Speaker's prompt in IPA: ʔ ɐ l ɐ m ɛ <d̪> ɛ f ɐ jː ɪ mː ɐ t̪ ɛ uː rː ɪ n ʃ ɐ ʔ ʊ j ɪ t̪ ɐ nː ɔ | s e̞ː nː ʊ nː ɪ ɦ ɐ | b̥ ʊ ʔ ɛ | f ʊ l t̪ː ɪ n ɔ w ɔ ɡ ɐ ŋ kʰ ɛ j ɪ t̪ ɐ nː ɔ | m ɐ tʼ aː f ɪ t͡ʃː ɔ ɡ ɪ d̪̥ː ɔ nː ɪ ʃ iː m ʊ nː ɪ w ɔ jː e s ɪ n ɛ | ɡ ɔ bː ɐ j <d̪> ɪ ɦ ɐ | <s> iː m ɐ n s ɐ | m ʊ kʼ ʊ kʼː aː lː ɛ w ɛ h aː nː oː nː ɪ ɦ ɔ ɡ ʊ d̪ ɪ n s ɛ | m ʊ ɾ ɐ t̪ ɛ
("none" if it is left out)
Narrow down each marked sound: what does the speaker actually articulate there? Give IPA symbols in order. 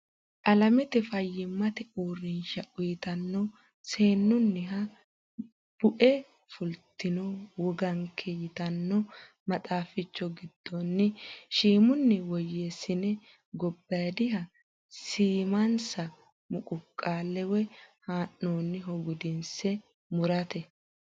t̪, d̪, s

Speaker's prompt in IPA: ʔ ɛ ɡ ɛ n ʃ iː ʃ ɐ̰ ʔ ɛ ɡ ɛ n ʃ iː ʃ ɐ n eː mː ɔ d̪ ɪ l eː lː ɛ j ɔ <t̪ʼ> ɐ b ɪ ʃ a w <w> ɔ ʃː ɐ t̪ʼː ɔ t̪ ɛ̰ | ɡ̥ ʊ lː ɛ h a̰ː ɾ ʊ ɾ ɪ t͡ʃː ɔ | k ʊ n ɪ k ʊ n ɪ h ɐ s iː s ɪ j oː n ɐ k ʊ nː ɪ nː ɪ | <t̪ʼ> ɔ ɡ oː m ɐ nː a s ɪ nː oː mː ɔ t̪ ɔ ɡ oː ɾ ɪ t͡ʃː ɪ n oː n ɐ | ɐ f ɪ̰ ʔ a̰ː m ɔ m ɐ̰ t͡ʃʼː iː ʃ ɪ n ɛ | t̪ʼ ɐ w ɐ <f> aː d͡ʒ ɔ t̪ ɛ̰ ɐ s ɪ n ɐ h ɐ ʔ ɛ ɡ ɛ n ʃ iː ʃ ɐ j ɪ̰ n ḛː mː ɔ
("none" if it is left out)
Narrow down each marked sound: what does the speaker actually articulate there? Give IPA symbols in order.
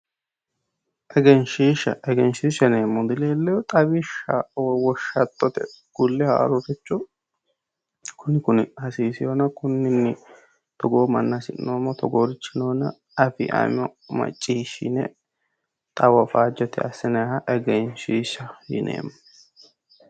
t̪ʼ, w, t̪, f

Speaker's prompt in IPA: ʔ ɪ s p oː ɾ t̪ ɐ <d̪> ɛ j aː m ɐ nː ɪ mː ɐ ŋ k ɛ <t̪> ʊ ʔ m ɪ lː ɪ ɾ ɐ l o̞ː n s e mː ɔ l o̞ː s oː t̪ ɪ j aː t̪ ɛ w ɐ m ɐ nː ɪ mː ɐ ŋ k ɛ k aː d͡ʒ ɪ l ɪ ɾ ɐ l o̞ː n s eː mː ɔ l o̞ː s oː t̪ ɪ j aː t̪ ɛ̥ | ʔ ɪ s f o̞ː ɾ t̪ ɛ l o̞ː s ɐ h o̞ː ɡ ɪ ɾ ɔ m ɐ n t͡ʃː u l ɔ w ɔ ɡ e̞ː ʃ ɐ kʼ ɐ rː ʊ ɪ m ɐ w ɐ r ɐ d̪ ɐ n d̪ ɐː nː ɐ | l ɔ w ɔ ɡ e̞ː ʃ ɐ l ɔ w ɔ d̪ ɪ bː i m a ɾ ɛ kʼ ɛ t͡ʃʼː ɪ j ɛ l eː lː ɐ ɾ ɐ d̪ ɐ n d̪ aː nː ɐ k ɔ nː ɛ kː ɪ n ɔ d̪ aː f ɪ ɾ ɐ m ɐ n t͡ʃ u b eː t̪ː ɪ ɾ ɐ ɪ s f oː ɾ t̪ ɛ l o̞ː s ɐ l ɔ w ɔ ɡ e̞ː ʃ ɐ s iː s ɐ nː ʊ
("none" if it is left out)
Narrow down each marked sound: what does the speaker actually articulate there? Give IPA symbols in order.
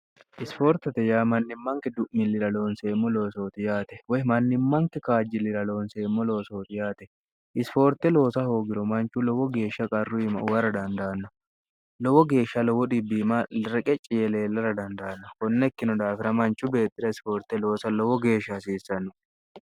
t̪, d̪

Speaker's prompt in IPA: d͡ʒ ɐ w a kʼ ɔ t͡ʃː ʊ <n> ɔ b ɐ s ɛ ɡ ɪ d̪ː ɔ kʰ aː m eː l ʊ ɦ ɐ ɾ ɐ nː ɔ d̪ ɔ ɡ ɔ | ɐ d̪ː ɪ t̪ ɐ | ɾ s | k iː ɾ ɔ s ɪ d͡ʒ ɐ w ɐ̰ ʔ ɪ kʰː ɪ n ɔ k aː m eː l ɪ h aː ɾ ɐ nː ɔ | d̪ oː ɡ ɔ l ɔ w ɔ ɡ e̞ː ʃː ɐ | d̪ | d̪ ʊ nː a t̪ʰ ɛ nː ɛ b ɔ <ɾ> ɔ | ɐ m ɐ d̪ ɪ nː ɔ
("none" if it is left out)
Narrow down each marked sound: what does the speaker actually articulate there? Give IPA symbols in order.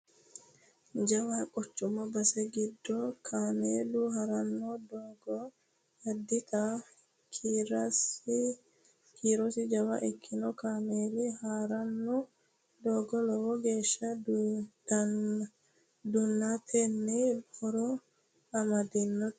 m, ɾ

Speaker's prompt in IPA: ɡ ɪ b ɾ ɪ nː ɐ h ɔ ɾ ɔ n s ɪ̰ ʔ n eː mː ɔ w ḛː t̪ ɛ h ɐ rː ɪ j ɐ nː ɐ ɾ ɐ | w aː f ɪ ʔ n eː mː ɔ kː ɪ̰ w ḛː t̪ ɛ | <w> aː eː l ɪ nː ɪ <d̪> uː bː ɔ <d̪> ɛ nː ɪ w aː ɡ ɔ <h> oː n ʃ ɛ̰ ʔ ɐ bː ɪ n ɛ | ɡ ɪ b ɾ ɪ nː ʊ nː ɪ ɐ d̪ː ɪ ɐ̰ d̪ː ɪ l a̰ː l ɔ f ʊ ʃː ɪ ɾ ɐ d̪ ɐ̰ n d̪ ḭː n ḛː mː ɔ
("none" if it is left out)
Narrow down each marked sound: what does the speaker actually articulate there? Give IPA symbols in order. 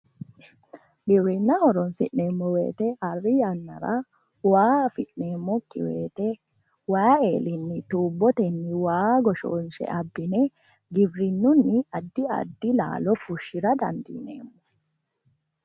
w, t̪, t̪, ʃ

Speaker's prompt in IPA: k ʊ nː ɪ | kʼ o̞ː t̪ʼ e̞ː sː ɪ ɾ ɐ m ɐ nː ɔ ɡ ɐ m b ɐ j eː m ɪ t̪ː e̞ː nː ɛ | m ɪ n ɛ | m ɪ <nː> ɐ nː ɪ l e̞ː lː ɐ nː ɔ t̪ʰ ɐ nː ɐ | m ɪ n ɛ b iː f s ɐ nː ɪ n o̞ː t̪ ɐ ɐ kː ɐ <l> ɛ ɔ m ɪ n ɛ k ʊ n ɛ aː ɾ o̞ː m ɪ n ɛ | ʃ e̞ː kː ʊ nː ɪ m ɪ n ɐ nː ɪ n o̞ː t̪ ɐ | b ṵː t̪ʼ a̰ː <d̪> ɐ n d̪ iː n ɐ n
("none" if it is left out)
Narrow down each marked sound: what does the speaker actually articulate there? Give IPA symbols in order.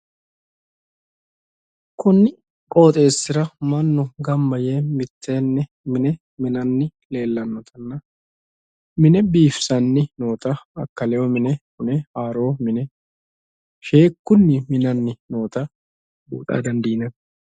n, l, d̪

